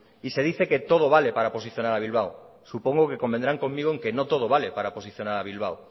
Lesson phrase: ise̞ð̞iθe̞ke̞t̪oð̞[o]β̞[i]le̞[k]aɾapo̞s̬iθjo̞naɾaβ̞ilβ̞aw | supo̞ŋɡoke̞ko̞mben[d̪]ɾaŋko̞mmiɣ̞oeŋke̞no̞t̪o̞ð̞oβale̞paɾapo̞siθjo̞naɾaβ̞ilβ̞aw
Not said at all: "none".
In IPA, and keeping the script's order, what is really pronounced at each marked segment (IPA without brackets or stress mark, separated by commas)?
o, a, p, d̪